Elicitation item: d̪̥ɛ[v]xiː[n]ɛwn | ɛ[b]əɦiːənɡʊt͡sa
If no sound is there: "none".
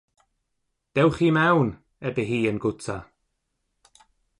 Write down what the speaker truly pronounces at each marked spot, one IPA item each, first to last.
w, m, b

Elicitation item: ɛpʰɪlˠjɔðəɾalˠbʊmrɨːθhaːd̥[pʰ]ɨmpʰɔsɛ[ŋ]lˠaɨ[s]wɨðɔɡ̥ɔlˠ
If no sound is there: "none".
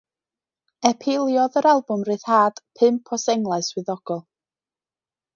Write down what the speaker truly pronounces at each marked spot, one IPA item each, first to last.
pʰ, ŋ, s

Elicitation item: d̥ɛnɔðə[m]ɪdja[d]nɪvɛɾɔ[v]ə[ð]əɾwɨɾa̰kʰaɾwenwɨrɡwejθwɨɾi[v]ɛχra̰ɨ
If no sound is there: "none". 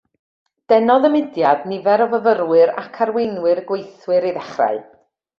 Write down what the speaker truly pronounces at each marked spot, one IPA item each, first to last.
m, d, v, v, ð

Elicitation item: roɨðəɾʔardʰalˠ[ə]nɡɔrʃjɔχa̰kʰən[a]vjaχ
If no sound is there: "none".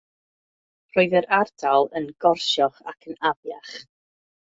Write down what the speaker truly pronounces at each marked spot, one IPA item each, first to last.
ə, a

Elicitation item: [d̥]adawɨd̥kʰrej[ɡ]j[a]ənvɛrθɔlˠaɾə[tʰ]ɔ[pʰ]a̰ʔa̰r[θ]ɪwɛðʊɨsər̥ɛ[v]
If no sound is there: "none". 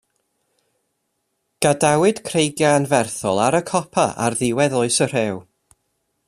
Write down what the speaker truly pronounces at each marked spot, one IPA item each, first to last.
ɡ̥, ɡ, a, kʰ, pʰ, ð, w

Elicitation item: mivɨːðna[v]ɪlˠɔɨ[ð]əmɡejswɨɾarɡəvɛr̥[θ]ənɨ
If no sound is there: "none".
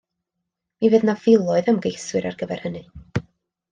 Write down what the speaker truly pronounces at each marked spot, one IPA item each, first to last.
v, ð, h

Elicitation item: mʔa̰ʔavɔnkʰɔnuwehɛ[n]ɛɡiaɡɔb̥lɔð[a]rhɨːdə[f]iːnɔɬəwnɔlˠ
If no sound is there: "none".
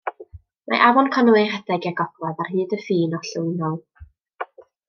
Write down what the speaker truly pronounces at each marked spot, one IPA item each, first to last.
d, a, f

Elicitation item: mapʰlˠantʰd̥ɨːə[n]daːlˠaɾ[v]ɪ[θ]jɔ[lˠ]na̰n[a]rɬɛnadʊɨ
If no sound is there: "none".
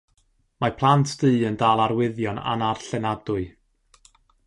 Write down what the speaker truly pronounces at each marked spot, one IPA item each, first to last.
n, w, ð, none, a

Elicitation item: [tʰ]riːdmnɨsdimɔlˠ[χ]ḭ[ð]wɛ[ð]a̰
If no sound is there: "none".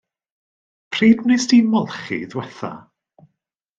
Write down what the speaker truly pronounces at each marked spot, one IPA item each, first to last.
pʰ, χ, ð, θ

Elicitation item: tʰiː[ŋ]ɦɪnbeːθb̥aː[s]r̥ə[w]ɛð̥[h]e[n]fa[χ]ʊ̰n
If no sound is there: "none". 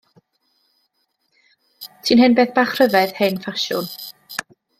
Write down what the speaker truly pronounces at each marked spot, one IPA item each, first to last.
n, χ, v, h, n, ʃ

